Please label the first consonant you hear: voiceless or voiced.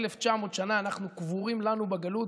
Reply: voiced